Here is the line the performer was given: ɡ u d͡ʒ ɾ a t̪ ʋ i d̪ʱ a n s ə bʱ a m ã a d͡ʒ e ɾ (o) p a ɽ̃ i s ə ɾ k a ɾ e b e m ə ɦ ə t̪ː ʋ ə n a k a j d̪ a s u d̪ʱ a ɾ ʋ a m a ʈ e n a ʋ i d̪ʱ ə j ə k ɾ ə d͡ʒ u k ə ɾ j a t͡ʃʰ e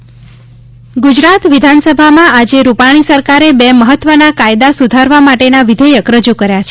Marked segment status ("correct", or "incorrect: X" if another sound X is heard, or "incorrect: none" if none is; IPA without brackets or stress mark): incorrect: u